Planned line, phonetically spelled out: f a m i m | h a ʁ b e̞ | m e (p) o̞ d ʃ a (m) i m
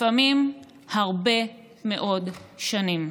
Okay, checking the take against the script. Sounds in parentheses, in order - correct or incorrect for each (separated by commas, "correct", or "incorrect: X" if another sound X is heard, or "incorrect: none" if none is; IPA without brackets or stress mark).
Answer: incorrect: ʔ, incorrect: n